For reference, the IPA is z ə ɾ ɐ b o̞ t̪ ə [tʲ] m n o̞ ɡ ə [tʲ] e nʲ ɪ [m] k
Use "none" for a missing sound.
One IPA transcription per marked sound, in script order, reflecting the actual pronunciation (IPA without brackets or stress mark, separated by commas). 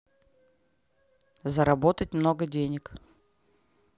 tʲ, dʲ, none